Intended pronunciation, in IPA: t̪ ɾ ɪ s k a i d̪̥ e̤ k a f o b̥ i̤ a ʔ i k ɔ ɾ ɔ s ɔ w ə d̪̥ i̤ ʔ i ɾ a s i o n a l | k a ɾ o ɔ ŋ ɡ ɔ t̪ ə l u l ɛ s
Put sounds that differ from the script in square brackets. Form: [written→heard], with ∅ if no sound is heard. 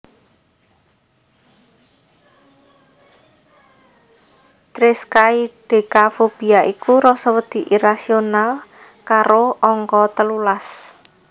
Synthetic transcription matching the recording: t̪ ɾ ɪ s k a i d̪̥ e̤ k a f o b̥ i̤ a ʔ i k [ɔ→u] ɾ ɔ s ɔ w ə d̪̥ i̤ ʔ i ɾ a s i o n a l | k a ɾ o ɔ ŋ [ɡ→k] ɔ t̪ ə l u l [ɛ→a] s